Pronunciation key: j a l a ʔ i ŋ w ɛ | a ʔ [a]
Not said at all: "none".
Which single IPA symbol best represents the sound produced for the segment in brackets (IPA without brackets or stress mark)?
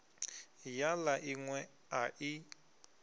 i